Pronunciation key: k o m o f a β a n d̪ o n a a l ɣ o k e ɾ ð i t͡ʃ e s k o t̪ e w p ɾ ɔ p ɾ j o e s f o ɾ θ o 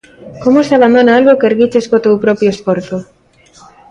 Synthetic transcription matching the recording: k o m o s a β a n d̪ o n a a l ɣ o k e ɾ ɣ i t͡ʃ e s k o t̪ e w p ɾ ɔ p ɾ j o e s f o ɾ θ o